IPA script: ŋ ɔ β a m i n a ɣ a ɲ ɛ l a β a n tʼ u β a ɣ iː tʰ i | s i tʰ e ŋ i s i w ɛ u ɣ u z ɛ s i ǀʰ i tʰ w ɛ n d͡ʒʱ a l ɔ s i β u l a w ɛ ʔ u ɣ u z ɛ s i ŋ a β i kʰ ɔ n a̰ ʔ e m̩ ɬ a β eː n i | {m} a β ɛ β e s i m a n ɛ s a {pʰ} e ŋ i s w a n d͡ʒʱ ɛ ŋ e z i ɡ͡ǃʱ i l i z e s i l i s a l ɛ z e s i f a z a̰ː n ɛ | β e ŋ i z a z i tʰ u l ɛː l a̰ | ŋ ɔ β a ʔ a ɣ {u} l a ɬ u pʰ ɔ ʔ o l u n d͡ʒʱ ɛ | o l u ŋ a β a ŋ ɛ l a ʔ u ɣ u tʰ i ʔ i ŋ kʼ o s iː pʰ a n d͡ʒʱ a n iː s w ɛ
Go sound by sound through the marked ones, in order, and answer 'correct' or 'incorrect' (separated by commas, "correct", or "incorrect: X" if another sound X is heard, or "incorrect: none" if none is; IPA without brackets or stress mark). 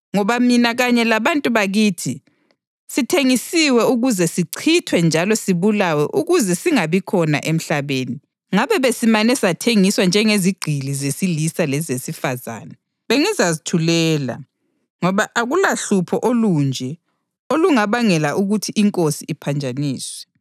incorrect: ŋ, incorrect: tʰ, correct